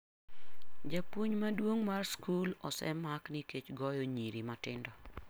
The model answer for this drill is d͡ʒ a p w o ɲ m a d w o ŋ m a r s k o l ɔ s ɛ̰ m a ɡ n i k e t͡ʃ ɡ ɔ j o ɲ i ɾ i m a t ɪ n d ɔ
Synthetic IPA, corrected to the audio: d͡ʒ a p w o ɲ m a d w o ŋ m a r s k u l ɔ s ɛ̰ m a k n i k e t͡ʃ ɡ ɔ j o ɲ i ɾ i m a t ɪ n d ɔ